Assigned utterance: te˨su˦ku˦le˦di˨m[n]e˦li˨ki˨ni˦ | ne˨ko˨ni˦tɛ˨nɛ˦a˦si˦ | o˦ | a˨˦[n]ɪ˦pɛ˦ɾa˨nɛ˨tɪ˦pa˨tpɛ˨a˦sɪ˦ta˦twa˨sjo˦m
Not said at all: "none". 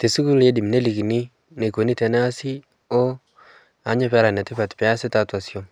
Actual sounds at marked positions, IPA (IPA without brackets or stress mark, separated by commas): n, ɲ